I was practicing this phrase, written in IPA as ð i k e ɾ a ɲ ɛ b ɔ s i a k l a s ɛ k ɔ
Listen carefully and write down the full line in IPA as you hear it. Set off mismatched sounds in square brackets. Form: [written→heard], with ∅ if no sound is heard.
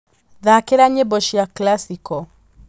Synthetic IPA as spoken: ð [i→a] k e ɾ a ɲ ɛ b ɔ [s→ʃ] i a k l a s [ɛ→i] k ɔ